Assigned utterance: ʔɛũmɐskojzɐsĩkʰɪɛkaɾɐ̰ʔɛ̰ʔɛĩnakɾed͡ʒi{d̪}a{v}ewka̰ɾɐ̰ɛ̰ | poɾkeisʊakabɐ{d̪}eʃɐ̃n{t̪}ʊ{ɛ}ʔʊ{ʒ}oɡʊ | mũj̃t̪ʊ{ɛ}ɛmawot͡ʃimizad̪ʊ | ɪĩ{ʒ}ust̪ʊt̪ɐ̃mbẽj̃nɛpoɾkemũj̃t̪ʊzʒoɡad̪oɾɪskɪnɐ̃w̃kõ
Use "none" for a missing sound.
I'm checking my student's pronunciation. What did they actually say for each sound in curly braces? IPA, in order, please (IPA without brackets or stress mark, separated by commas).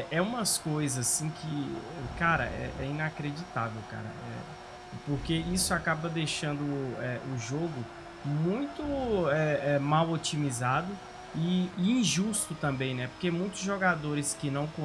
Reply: t̪, v, d̪, d̪, ɛ, ʒ, ɛ, ʒ